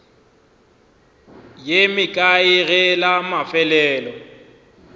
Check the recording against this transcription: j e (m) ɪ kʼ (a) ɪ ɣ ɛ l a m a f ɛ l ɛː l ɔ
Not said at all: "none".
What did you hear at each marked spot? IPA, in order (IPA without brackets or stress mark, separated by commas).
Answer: m, a